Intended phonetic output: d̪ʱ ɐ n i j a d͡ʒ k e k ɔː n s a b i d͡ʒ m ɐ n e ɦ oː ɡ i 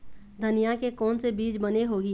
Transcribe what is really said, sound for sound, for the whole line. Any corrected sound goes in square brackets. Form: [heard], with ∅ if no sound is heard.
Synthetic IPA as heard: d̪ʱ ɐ n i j a [∅] k e k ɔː n s [e] b [iː] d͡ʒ [b] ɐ n e ɦ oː ɡ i